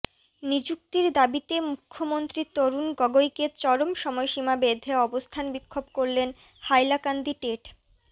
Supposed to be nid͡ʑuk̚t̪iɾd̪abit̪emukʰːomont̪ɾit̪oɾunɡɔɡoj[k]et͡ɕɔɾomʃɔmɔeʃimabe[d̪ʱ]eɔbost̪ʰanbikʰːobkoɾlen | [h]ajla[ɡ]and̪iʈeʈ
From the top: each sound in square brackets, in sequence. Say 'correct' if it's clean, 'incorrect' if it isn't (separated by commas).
correct, correct, correct, incorrect